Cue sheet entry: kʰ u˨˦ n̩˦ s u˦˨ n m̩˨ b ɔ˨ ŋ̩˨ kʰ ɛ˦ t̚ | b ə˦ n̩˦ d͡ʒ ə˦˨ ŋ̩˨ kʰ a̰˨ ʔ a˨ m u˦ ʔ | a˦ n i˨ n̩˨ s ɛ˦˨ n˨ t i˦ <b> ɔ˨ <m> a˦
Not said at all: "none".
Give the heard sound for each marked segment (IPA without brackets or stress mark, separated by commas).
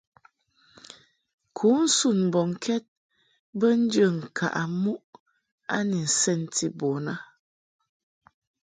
b, n